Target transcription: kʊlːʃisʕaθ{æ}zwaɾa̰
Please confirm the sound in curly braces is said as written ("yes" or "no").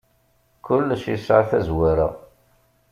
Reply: yes